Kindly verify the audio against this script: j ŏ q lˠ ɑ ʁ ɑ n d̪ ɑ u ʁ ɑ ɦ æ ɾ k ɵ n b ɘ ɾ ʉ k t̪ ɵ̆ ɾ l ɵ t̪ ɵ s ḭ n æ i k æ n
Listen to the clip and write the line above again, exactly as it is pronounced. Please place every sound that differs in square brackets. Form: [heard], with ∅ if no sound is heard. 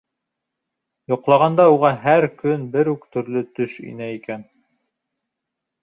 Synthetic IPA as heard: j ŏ q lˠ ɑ ʁ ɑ n d̪ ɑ u ʁ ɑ ɦ æ ɾ k ɵ n b ɘ ɾ ʉ k t̪ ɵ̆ ɾ l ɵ t̪ ɵ [ʃ] ḭ n æ i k æ n

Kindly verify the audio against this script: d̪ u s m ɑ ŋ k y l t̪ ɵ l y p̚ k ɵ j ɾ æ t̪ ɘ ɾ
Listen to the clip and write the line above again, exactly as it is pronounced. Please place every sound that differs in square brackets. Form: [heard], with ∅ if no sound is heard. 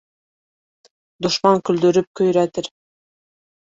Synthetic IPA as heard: d̪ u [ʃ] m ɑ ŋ k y l [d̪] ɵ [ɾ] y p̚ k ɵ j ɾ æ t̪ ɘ ɾ

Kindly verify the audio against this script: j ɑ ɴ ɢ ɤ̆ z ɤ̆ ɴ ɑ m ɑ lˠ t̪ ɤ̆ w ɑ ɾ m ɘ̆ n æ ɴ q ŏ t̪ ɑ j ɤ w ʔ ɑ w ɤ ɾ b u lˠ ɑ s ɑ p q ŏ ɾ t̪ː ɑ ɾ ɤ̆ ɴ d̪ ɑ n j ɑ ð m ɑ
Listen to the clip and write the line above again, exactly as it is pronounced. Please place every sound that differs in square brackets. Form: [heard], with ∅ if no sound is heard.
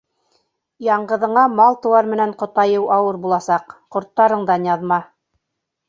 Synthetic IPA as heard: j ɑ ɴ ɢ ɤ̆ [ð] ɤ̆ ɴ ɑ m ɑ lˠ t̪ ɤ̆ w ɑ ɾ m ɘ̆ n æ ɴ q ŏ t̪ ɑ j ɤ w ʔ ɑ w ɤ ɾ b u lˠ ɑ s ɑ [q] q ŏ ɾ t̪ː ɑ ɾ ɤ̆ ɴ d̪ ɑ n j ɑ ð m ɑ

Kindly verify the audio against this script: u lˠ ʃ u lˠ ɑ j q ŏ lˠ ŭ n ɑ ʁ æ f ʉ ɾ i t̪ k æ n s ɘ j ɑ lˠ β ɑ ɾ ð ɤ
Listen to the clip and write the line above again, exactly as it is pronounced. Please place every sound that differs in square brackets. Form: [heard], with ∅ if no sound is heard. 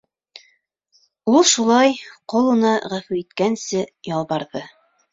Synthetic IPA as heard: u lˠ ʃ u lˠ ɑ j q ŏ lˠ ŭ n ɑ ʁ æ f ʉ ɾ i t̪ k æ n s ɘ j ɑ lˠ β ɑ ɾ ð ɤ

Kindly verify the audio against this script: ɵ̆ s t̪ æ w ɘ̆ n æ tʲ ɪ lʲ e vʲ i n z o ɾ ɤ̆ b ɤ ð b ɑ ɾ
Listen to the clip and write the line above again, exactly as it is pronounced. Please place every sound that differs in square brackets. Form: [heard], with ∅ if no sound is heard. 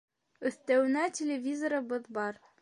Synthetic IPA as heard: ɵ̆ [θ] t̪ æ w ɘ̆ n æ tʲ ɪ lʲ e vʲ i [∅] z o ɾ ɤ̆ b ɤ ð b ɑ ɾ

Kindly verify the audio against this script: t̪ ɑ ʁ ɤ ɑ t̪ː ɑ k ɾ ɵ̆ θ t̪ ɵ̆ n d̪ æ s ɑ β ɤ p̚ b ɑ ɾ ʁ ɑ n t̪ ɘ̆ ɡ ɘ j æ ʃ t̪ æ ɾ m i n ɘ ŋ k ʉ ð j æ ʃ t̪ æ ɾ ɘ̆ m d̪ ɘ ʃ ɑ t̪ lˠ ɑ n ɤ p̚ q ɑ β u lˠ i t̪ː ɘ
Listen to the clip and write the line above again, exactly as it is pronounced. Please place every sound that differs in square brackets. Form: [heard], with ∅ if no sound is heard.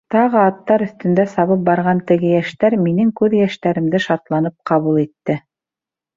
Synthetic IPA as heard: t̪ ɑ ʁ ɤ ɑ t̪ː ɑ [∅] ɾ ɵ̆ θ t̪ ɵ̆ n d̪ æ s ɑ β ɤ p̚ b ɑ ɾ ʁ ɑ n t̪ ɘ̆ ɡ ɘ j æ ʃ t̪ æ ɾ m i n ɘ ŋ k ʉ ð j æ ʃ t̪ æ ɾ ɘ̆ m d̪ ɘ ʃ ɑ t̪ lˠ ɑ n ɤ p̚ q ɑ β u lˠ i t̪ː ɘ

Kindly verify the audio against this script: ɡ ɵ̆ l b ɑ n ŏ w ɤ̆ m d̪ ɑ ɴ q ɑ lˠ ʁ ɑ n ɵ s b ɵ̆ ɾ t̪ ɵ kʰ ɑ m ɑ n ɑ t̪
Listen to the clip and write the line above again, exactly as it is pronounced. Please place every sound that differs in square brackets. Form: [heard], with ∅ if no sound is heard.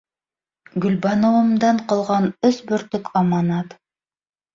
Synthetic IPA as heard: ɡ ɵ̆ l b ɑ n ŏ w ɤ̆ m d̪ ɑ ɴ q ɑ lˠ ʁ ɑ n ɵ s b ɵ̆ ɾ t̪ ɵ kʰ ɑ m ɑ n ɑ t̪

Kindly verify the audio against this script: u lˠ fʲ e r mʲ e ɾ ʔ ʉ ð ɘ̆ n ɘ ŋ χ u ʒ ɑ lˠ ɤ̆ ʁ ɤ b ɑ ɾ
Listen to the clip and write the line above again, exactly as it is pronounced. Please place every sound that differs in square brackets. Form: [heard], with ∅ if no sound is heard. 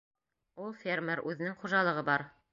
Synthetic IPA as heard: u lˠ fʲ e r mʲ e ɾ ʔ ʉ ð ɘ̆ n ɘ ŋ χ u ʒ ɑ lˠ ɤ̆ ʁ ɤ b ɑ ɾ

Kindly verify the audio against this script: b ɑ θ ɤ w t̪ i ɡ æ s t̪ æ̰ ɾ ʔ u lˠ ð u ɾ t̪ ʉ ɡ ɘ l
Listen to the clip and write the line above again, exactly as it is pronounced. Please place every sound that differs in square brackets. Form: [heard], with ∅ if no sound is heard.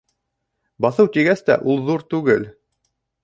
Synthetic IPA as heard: b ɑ θ ɤ w t̪ i ɡ æ s t̪ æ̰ [∅] ʔ u lˠ ð u ɾ t̪ ʉ ɡ ɘ l

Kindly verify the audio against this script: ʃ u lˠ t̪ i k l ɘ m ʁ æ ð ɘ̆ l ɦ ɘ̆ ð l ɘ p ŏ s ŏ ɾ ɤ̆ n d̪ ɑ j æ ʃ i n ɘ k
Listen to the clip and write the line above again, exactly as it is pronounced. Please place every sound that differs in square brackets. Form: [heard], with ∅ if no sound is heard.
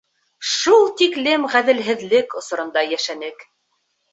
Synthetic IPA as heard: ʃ u lˠ t̪ i k l ɘ m ʁ æ ð ɘ̆ l ɦ ɘ̆ ð l ɘ [k] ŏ s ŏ ɾ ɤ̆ n d̪ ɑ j æ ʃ [æ] n ɘ k

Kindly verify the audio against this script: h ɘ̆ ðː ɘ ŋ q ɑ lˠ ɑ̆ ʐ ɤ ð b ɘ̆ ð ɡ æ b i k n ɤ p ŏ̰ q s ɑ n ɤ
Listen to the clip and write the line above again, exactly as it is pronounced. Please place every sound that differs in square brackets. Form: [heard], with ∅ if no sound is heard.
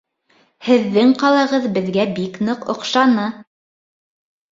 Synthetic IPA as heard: h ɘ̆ ðː ɘ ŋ q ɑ lˠ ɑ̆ [ʁ] ɤ ð b ɘ̆ ð ɡ æ b i k n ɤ [q] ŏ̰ q [ʃ] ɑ n ɤ

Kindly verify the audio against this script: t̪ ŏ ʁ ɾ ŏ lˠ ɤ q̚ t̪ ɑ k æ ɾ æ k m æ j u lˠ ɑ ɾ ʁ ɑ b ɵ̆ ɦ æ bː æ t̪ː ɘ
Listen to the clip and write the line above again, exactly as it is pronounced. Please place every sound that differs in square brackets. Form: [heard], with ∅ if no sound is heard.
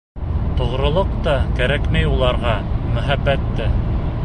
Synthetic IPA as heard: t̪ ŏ ʁ ɾ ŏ lˠ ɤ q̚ t̪ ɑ k æ ɾ æ k m æ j u lˠ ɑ ɾ ʁ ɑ [m] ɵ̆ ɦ æ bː æ t̪ː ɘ

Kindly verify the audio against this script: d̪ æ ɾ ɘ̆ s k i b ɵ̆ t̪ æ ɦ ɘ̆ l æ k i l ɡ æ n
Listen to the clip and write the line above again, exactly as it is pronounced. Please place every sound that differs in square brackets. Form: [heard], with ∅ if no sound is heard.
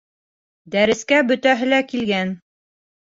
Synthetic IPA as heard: d̪ æ ɾ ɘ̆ s k [æ] b ɵ̆ t̪ æ ɦ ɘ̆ l æ k i l ɡ æ n

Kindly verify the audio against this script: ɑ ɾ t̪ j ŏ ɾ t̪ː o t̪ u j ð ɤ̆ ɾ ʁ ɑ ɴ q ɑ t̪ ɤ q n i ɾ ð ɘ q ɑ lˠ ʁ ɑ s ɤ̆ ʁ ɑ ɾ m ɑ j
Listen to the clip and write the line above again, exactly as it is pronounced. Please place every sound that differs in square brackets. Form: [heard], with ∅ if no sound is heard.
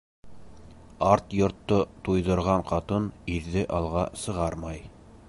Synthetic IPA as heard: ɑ ɾ t̪ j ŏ ɾ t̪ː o t̪ u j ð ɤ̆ ɾ ʁ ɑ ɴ q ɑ t̪ ɤ [∅] n i ɾ ð ɘ [ʔ] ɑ lˠ ʁ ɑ s ɤ̆ ʁ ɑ ɾ m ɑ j

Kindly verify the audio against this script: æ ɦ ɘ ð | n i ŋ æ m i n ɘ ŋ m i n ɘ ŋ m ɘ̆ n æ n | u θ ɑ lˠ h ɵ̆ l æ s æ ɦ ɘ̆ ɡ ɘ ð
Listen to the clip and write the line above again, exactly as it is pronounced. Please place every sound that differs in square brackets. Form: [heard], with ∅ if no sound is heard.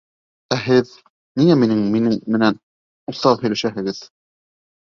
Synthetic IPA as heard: æ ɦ ɘ ð | n i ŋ æ m i n ɘ ŋ m i n ɘ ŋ m ɘ̆ n æ n | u θ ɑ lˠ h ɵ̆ l æ [ʃ] æ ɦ ɘ̆ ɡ ɘ ð

